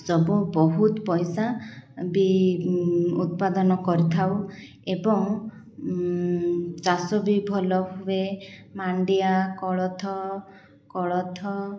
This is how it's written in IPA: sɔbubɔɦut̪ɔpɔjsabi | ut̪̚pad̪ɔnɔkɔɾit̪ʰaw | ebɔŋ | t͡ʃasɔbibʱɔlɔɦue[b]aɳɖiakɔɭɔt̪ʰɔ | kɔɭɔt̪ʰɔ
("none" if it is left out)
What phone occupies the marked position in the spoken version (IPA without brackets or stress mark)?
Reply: m